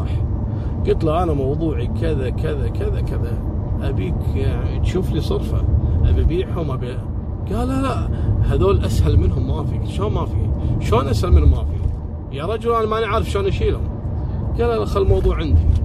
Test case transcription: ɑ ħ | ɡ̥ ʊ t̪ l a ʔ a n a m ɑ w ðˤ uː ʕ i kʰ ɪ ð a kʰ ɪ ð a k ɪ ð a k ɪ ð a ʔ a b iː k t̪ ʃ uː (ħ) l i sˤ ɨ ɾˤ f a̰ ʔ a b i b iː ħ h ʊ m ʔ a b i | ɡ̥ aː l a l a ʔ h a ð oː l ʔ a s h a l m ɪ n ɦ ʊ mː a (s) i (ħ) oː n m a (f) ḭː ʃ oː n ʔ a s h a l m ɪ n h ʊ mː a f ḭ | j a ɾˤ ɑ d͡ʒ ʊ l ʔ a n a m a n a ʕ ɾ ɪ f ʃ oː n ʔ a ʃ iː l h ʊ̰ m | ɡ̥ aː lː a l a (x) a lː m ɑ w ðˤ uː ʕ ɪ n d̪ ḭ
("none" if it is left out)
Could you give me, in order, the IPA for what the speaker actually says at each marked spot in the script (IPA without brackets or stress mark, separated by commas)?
f, f, ʃ, f, x